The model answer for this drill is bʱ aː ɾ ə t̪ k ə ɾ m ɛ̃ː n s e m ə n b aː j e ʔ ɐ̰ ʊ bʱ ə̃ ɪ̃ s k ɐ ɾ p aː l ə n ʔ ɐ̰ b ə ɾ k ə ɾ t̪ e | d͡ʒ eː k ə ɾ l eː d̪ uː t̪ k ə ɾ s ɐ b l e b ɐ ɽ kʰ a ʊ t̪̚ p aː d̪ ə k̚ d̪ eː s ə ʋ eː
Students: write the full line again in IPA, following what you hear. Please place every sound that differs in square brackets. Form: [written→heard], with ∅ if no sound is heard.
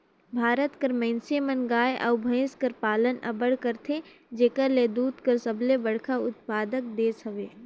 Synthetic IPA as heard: bʱ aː ɾ ə t̪ k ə ɾ m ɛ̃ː n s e m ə n [b→ɡ] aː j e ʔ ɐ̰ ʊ bʱ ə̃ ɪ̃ s k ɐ ɾ p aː l ə n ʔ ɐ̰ b ə [ɾ→ɽ] k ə ɾ [t̪→t̪ʰ] e | d͡ʒ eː k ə ɾ l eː d̪ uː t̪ k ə ɾ s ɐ b l e b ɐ ɽ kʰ a ʊ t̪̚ p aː d̪ ə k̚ d̪ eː s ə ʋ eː